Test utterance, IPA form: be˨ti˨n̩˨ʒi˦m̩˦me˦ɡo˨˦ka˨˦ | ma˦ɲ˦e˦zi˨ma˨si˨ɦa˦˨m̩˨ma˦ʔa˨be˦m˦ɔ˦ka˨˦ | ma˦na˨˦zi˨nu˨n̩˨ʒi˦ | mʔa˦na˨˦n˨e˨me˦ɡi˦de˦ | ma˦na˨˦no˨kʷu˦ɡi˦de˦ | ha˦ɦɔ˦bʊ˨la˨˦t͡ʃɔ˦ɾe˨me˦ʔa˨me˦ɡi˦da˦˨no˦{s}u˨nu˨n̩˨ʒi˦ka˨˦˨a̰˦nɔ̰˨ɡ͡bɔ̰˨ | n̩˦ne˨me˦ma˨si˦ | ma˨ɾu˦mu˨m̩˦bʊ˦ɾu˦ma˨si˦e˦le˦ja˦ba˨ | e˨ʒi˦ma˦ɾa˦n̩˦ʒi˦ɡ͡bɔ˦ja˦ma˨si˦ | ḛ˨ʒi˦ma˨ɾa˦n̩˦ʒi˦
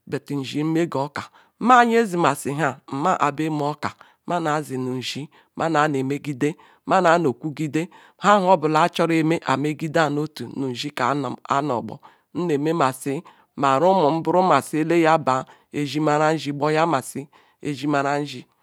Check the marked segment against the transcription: incorrect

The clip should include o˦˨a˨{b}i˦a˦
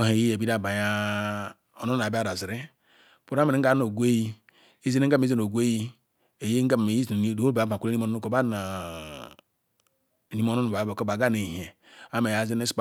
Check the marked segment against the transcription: correct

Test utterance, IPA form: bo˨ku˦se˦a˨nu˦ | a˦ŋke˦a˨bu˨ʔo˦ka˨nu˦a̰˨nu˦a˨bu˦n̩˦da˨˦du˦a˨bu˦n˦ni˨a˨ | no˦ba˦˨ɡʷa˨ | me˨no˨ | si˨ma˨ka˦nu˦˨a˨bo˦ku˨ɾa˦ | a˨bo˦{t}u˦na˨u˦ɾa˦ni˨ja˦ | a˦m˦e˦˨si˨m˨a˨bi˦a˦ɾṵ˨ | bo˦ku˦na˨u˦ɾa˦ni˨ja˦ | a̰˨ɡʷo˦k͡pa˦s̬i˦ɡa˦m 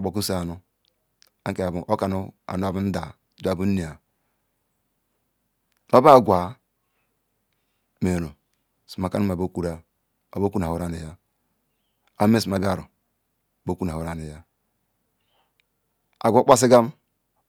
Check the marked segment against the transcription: incorrect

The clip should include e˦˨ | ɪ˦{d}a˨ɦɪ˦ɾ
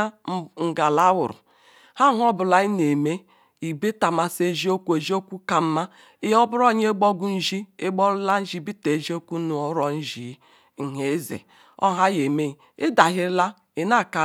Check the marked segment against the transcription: correct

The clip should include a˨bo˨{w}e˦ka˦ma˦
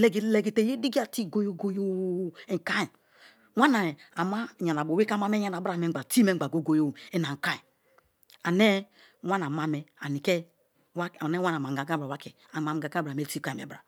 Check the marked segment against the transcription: correct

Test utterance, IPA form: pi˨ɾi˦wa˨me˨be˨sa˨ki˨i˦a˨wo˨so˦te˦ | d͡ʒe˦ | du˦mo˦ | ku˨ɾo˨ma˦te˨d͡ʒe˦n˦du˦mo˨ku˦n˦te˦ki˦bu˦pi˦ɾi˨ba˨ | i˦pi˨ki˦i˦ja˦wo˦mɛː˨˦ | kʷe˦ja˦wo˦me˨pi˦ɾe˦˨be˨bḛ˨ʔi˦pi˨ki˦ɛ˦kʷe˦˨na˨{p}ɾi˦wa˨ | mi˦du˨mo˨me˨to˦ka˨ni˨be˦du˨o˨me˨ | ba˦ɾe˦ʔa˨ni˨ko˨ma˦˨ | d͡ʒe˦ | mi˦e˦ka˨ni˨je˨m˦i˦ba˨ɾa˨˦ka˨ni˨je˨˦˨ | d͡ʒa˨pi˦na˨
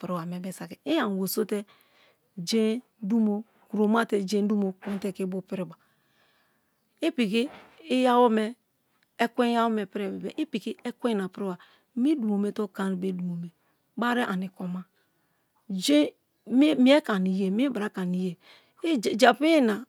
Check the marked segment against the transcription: correct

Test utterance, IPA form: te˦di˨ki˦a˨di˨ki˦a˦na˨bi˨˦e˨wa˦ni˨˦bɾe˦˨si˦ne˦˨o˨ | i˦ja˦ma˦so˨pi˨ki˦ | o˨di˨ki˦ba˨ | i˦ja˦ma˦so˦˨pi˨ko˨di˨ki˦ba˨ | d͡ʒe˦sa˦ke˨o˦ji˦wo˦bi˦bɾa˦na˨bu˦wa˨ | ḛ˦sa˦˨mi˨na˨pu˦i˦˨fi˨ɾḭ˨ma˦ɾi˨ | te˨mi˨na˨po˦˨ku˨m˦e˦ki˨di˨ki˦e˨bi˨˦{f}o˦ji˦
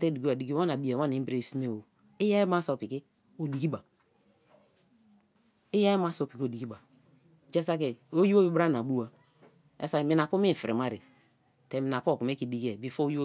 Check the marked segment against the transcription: correct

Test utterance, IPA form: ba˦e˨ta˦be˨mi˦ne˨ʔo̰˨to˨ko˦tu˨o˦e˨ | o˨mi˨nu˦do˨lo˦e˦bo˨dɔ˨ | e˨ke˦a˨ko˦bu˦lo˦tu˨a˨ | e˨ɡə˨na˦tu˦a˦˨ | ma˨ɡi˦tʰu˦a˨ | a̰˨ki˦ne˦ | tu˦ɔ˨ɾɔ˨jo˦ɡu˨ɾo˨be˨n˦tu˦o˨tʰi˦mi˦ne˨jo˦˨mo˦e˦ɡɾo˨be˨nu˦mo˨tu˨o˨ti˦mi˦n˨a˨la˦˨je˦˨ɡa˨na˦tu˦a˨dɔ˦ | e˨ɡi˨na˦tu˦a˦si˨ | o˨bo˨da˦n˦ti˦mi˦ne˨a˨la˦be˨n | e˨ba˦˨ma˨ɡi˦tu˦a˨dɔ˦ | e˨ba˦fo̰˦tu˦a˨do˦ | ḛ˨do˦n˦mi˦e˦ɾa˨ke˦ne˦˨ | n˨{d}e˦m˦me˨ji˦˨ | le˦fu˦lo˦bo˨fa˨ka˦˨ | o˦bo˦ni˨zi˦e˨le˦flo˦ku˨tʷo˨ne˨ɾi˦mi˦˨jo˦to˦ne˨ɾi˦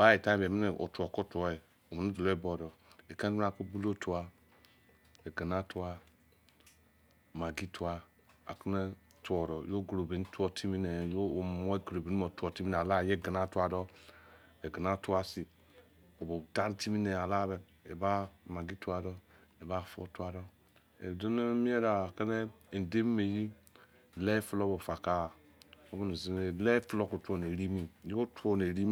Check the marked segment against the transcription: correct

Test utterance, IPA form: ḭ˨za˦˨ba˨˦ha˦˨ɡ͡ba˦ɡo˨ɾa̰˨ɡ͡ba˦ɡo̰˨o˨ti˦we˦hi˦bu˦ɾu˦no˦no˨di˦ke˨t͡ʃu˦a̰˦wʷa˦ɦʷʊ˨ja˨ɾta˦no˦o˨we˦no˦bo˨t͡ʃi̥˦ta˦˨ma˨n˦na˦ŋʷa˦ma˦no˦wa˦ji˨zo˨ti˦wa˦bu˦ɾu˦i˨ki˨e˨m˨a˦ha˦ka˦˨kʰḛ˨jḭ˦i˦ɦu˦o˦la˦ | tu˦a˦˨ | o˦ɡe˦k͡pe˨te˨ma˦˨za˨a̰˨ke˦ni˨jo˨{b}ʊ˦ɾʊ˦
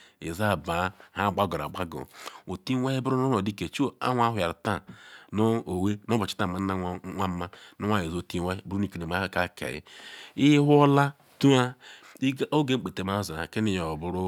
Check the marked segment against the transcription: correct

